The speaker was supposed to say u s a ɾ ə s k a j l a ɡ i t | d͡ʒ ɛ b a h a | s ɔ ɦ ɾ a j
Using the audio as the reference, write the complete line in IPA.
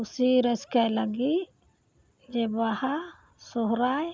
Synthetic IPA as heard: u s i ɾ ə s k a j l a ɡ i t | d͡ʒ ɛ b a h a | s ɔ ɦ ɾ a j